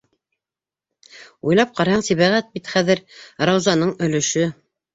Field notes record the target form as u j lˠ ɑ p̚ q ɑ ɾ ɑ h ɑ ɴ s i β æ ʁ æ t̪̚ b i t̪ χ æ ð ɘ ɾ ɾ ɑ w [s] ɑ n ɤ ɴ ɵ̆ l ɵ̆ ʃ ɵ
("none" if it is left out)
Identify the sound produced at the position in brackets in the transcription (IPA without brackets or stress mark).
z